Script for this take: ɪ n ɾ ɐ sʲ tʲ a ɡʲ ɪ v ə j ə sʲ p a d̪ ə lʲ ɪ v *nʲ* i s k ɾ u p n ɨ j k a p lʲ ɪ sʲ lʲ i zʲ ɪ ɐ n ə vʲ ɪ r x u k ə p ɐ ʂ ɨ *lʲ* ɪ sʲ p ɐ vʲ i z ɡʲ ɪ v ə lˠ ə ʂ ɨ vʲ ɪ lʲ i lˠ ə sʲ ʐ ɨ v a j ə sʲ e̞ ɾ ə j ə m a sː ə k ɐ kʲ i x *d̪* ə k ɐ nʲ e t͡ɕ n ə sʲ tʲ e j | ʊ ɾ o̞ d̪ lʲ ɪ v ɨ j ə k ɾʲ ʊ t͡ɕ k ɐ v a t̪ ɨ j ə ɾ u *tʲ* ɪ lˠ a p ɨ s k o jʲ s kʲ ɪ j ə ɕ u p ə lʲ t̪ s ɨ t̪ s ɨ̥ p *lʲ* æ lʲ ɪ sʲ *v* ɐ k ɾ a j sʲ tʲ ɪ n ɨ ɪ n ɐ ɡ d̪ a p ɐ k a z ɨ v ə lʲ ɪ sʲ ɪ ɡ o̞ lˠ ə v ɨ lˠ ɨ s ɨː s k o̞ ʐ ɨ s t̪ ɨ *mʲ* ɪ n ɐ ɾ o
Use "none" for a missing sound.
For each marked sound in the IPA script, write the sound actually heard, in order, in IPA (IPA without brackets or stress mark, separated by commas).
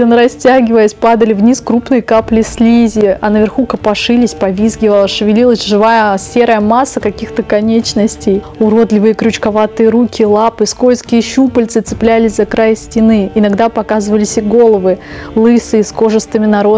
nʲ, lʲ, t̪, kʲ, lʲ, z, mʲ